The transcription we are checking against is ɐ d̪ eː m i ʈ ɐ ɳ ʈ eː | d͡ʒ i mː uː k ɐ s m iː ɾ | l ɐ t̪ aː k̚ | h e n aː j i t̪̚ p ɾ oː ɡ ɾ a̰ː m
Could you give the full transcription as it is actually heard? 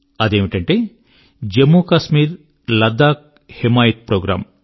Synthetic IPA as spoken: ɐ d̪ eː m i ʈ ɐ ɳ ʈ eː | d͡ʒ e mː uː k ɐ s m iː ɾ | l ɐ d̪ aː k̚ | h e m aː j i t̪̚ p ɾ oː ɡ ɾ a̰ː m